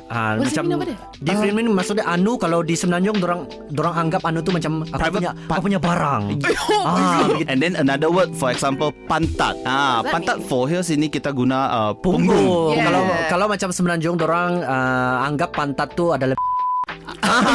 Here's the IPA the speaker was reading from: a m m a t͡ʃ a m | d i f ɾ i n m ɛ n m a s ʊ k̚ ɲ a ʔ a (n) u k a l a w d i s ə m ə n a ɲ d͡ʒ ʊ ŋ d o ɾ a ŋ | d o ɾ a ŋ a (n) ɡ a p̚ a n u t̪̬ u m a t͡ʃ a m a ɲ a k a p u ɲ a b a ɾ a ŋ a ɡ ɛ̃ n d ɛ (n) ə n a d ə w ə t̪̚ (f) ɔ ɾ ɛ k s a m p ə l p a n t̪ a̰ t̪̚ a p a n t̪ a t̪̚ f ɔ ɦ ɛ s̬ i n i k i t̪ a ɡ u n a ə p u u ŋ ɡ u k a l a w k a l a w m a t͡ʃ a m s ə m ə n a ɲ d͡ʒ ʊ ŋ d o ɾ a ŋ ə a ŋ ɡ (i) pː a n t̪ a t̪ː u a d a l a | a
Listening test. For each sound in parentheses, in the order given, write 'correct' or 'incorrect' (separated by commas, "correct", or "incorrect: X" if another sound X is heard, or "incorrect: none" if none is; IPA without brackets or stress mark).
correct, incorrect: ŋ, correct, correct, incorrect: a